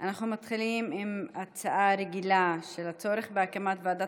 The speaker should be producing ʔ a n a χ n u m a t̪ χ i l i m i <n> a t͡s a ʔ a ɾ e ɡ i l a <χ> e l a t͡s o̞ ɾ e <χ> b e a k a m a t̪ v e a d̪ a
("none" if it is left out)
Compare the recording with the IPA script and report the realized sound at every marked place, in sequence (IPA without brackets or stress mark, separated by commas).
m, ʃ, χ